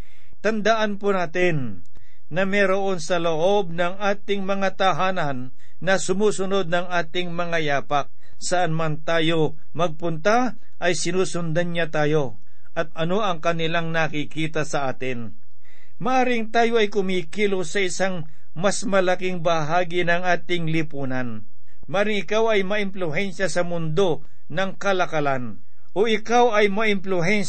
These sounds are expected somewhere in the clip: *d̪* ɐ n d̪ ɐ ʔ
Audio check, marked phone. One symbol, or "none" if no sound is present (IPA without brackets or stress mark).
t̪